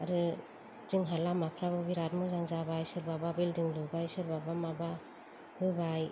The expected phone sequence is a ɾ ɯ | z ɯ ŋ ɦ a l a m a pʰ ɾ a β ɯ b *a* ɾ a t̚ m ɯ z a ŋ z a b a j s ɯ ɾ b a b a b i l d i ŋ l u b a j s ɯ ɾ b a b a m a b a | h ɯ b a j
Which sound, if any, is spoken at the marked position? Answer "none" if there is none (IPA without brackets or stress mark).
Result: i